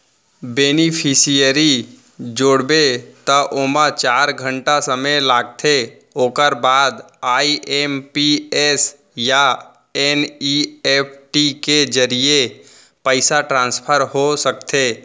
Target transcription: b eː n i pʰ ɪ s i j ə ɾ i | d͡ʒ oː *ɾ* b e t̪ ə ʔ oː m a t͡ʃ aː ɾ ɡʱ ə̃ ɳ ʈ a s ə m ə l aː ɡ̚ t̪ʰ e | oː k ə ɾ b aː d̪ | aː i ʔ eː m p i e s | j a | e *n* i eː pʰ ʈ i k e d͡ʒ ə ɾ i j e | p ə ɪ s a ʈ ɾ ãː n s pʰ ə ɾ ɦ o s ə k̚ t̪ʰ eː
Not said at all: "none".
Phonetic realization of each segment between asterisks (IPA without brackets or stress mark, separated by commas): ɽ, n